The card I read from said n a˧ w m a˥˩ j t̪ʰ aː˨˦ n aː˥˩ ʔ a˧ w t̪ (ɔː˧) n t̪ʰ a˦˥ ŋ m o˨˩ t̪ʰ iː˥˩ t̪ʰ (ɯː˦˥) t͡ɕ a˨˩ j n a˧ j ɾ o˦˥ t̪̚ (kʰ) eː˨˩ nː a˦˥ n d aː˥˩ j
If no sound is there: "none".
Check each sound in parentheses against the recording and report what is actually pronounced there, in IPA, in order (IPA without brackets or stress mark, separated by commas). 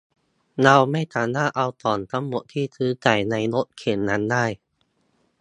ɔː˨˩, ɯː˦˥, kʰ